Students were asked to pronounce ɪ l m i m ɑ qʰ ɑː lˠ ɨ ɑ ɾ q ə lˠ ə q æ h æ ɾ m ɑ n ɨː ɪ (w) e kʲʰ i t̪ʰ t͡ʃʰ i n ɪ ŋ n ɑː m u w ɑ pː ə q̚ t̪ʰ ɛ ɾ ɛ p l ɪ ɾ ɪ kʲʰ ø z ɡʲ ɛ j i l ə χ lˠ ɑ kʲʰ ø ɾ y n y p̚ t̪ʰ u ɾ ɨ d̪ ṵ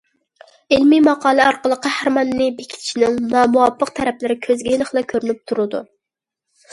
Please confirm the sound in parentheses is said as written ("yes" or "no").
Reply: no